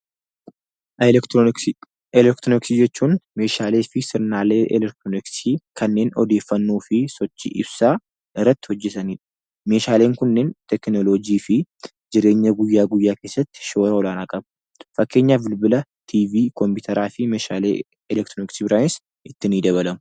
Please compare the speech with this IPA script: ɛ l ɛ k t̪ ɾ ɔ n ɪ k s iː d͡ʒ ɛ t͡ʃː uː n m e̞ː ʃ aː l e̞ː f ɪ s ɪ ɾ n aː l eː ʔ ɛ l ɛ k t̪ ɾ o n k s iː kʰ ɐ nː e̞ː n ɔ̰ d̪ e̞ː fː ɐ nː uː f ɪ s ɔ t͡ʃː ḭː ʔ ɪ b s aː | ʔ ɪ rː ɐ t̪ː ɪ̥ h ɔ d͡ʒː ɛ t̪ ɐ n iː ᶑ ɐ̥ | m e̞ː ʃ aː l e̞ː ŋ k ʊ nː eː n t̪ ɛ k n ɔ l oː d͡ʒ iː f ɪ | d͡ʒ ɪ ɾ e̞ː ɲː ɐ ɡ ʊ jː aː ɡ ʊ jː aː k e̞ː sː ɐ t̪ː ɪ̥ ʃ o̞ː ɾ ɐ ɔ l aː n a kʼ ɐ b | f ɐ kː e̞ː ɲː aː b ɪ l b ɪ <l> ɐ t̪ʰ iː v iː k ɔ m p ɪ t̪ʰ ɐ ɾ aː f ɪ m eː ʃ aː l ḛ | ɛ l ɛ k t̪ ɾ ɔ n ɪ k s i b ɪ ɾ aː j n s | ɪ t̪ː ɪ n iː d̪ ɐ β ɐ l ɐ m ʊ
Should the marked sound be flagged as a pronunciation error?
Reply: no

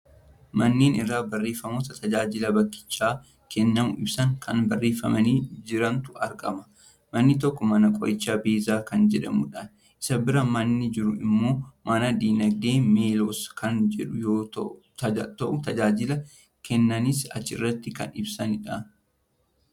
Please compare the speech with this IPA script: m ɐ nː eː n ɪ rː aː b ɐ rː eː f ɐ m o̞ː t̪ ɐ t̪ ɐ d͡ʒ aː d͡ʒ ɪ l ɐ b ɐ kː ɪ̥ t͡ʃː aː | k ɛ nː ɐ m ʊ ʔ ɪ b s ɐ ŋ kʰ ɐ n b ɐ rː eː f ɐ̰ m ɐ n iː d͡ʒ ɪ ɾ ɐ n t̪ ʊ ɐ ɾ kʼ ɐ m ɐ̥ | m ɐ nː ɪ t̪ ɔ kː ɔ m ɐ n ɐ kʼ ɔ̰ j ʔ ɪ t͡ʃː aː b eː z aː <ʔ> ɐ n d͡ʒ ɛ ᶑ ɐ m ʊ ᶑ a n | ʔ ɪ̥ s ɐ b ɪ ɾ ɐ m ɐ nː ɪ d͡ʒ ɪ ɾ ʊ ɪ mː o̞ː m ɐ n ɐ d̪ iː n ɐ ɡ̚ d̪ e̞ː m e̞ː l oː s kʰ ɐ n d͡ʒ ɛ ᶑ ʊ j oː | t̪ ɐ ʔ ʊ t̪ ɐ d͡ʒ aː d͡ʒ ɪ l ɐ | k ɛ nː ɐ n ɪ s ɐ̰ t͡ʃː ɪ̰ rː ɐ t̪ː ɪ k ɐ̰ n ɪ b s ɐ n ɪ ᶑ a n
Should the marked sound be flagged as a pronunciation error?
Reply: yes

